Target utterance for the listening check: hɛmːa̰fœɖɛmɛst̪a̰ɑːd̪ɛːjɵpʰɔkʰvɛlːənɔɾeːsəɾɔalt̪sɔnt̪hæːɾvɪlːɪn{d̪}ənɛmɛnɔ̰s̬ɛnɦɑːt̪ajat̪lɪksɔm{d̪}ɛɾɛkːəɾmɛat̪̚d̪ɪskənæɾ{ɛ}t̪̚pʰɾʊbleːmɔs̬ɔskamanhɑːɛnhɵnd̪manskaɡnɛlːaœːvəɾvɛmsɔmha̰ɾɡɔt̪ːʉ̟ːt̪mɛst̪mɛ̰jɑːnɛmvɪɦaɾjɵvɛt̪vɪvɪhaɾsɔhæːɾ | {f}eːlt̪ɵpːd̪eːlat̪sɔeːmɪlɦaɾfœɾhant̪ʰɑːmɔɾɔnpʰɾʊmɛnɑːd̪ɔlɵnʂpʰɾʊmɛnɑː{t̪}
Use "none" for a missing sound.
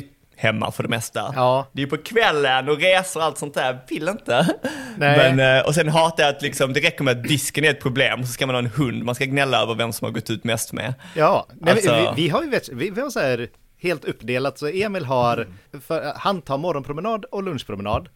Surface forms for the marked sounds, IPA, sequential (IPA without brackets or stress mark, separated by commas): t̪, d̪, ɛ, h, d̪